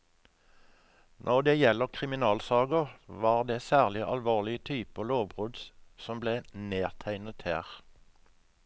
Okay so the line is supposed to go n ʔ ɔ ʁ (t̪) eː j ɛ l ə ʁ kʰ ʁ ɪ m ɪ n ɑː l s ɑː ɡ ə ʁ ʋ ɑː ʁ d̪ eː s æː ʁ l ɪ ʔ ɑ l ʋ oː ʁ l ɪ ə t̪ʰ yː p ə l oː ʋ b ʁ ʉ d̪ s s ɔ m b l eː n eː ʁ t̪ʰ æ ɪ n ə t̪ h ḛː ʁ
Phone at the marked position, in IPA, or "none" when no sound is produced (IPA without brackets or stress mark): d̪